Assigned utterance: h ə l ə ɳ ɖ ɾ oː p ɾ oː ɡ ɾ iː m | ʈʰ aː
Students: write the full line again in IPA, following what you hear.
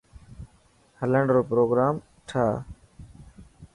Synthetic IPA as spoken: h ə l ə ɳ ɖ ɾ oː p ɾ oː ɡ ɾ aː m | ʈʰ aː